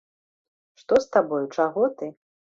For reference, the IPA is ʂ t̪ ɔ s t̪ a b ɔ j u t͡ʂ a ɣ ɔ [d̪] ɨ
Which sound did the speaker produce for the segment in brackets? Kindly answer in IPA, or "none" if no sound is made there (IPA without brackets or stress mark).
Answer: t̪